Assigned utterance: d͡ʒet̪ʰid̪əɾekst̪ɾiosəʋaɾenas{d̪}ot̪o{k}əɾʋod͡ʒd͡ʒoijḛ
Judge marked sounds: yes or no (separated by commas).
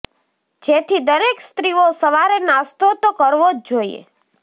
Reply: no, yes